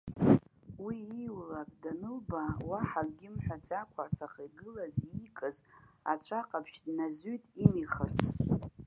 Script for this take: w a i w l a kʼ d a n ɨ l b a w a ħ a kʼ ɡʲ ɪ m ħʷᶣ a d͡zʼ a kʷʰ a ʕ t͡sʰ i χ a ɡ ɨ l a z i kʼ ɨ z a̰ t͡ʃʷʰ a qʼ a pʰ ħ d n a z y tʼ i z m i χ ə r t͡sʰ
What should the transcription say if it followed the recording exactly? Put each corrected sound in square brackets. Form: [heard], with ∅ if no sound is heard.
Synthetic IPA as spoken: w [i] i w l a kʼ d a n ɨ l b a w a ħ a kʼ ɡʲ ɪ m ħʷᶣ a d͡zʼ a kʷʰ a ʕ t͡sʰ [a] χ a ɡ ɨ l a z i kʼ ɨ z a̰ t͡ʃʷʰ a qʼ a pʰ [ʃ] d n a z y tʼ i [∅] m i χ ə r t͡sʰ